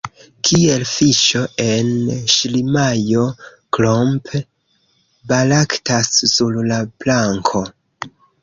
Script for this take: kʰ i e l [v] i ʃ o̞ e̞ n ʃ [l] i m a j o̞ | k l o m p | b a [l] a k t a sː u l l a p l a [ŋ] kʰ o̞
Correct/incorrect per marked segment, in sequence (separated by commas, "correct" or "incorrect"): incorrect, correct, correct, correct